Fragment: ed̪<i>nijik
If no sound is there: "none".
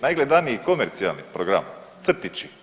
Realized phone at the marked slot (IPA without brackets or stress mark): a